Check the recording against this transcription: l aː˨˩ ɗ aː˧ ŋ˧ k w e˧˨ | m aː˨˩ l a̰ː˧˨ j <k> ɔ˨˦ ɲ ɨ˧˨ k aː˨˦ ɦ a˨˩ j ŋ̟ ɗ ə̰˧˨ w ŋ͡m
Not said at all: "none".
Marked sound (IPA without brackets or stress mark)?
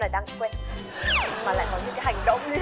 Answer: k